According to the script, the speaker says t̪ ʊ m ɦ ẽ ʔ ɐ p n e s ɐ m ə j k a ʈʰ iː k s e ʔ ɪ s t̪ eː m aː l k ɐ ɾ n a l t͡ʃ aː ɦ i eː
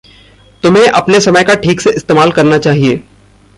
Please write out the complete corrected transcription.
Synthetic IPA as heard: t̪ ʊ m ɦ ẽ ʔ ɐ p n e s ɐ m ə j k a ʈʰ iː k s e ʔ ɪ s t̪ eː m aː l k ɐ ɾ n a t͡ʃ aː ɦ i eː